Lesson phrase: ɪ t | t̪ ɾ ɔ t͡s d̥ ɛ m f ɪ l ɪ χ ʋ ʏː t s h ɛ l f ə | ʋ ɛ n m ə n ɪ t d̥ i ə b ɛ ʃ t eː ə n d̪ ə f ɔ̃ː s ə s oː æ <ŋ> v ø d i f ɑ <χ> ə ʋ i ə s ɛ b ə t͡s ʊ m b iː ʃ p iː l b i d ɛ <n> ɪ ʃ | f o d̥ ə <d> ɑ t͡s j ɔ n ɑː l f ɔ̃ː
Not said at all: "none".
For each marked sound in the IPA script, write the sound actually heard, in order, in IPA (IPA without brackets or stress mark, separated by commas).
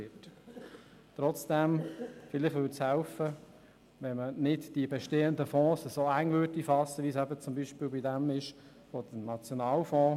ŋ, s, m, n